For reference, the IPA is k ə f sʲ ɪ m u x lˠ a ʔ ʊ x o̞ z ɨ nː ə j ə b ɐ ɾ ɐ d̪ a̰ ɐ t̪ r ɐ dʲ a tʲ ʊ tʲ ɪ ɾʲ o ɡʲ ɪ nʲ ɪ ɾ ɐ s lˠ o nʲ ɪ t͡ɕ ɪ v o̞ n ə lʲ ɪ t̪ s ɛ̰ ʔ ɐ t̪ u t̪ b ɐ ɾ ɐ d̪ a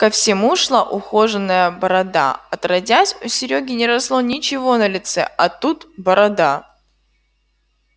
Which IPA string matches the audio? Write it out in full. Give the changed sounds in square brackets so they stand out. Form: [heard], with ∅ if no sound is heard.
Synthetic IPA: k ə f sʲ ɪ m u [ʂ] lˠ a ʔ ʊ x o̞ [ʐ] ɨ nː ə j ə b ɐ ɾ ɐ d̪ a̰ ɐ t̪ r ɐ dʲ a [sʲ] ʊ [sʲ] ɪ ɾʲ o ɡʲ ɪ nʲ ɪ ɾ ɐ s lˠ o nʲ ɪ t͡ɕ ɪ v o̞ n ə lʲ ɪ t̪ s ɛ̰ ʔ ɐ t̪ u t̪ b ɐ ɾ ɐ d̪ a